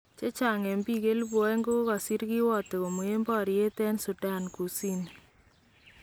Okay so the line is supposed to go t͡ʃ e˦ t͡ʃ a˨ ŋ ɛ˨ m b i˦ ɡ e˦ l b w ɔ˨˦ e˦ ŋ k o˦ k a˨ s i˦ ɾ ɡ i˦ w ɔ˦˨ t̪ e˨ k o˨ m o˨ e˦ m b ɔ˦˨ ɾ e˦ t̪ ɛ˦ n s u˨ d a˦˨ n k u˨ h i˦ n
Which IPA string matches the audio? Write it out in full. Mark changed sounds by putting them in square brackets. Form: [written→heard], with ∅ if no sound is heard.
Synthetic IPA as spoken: t͡ʃ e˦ t͡ʃ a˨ ŋ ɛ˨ m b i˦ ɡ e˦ l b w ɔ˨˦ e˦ ŋ [k→ɡ] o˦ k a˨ s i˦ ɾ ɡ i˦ w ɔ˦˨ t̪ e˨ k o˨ m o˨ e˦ m b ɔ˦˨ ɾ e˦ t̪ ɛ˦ n s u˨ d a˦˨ n k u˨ [h→s] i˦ n

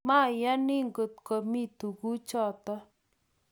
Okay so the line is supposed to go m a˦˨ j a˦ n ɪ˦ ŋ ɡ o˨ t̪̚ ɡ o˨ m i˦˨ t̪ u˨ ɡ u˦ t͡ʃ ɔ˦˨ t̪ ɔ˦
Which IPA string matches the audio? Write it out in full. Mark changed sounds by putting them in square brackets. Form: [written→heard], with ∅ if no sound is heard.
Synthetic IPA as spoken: m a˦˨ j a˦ n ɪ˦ ŋ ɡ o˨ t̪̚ [ɡ→k] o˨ m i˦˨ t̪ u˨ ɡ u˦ t͡ʃ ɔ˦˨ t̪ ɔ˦

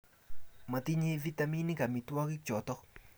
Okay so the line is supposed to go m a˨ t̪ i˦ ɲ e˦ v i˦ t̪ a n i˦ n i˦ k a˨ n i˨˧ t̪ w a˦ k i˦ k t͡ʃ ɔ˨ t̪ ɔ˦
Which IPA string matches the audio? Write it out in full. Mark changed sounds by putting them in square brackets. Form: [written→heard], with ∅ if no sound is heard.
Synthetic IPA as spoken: m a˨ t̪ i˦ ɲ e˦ v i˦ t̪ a [n→m] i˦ n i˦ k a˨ [n→m] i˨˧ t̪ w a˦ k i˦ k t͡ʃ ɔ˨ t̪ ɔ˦

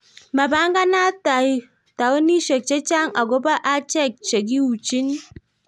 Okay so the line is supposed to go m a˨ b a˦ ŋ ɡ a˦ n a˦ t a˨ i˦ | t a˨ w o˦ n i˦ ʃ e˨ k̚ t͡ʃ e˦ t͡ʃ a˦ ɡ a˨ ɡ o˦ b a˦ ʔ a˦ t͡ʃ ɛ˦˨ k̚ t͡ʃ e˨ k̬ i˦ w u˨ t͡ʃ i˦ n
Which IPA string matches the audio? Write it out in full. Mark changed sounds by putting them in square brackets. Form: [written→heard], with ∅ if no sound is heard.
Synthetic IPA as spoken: m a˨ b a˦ ŋ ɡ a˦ n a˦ t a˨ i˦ | t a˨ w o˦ n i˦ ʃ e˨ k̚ t͡ʃ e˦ t͡ʃ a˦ [ɡ→ŋ] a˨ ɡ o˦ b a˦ ʔ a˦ t͡ʃ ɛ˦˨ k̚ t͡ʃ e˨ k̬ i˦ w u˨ t͡ʃ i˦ n

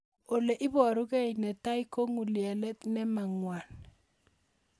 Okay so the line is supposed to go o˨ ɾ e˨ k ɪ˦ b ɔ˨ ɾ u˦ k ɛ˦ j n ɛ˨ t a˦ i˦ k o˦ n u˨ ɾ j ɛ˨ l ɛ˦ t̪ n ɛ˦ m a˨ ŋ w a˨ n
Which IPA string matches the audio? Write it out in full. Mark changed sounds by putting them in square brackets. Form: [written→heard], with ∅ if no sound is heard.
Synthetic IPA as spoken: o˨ [ɾ→l] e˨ [k→ʔ] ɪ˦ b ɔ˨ ɾ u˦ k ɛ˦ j n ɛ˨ t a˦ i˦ k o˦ [n→ŋ] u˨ [ɾ→l] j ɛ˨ l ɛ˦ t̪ n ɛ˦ m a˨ ŋ w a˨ n

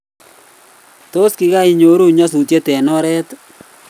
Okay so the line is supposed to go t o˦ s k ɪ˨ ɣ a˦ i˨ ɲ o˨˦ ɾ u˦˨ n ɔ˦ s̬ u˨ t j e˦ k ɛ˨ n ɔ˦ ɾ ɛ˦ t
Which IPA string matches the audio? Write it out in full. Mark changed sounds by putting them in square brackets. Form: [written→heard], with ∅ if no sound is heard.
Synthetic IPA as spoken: t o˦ s k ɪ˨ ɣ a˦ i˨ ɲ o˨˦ ɾ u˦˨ [n→ɲ] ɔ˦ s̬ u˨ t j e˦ [k→t] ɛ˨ n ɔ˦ ɾ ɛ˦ t

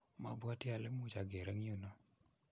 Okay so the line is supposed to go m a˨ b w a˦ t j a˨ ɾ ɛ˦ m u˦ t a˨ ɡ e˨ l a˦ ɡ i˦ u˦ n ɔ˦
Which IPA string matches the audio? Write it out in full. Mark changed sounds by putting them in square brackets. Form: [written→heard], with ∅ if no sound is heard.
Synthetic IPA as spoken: m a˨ b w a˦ t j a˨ [ɾ→l] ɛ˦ m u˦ [t→t͡ʃ] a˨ ɡ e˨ [l→ɾ] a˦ [ɡ→ŋ] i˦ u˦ n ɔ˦

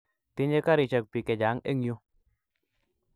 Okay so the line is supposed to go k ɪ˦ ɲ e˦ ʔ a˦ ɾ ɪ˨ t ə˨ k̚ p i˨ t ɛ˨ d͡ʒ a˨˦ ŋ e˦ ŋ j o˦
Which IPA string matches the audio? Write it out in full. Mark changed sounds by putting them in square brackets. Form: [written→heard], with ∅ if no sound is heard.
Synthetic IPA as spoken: [k→t] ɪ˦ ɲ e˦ [ʔ→k] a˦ ɾ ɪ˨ [t→t͡ʃ] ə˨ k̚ p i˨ [t→k] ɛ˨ d͡ʒ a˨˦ ŋ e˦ ŋ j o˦

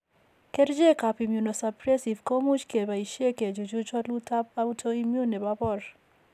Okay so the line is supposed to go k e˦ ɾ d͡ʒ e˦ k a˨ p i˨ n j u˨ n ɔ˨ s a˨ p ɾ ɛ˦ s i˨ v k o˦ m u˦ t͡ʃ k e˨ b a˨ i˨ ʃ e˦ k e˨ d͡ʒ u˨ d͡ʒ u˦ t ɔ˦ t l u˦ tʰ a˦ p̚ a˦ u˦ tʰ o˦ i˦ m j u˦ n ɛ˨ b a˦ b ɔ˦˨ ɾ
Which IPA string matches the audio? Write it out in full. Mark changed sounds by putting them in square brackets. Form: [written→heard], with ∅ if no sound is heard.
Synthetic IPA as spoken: k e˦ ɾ d͡ʒ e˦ k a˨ p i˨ [n→m] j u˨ n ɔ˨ s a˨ p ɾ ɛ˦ s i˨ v k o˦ m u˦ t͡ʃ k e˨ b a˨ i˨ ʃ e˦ k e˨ d͡ʒ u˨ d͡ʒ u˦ [t→t͡ʃ] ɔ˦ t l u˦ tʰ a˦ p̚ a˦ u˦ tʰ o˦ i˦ m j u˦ n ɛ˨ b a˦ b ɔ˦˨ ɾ

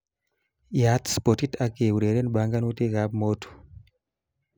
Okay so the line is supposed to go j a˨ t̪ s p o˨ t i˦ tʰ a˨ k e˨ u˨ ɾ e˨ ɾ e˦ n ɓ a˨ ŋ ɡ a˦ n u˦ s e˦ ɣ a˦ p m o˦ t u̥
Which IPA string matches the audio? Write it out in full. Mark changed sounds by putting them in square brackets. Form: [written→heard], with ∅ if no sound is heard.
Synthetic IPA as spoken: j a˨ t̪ s p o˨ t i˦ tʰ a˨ k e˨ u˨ ɾ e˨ ɾ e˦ n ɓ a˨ ŋ ɡ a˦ n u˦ [s→t] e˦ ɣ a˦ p m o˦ t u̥

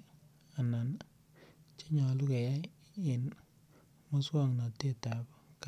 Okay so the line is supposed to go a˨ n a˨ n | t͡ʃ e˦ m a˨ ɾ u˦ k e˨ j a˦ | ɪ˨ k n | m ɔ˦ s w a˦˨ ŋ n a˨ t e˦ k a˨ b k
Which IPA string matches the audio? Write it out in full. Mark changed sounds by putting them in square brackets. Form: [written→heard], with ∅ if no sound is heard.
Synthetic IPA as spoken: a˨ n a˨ n | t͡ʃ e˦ [m→ɲ] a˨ [ɾ→l] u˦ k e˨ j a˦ | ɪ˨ [k→∅] n | m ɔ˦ s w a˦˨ ŋ n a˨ t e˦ [k→t] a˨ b k

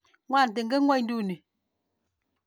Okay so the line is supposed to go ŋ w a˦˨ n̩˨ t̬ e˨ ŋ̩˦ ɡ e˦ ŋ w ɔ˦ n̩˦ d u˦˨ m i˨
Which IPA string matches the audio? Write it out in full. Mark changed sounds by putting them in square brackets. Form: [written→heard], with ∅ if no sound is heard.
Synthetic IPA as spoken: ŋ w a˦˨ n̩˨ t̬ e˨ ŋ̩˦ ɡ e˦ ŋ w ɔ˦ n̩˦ d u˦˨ [m→n] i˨

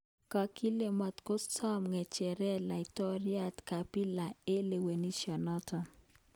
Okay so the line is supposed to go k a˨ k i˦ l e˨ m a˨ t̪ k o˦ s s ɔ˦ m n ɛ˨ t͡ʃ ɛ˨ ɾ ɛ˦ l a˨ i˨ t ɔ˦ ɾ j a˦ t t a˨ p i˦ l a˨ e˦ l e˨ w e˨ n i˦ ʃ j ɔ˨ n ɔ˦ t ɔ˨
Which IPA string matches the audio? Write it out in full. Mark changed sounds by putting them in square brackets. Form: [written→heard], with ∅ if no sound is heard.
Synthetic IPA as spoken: k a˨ k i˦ l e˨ m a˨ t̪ k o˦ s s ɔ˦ m [n→ŋ] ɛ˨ t͡ʃ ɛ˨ ɾ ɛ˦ l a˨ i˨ t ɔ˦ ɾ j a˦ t [t→k] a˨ p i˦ l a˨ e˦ l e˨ w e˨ n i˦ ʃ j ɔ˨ n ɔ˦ t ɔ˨

